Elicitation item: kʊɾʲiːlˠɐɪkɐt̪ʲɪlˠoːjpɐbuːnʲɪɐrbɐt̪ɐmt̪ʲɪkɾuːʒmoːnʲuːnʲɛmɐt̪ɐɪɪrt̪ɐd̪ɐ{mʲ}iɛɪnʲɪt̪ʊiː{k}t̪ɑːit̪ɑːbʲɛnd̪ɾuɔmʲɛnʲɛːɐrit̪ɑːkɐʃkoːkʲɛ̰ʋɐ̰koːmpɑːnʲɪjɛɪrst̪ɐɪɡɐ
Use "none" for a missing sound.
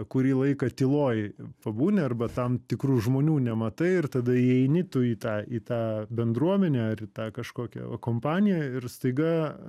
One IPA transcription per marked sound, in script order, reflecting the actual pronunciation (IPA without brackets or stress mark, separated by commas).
none, none